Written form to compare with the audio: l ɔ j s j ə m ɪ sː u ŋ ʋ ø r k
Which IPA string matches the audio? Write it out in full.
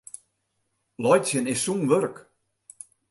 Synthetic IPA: l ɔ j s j ə n ɪ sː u n ʋ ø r k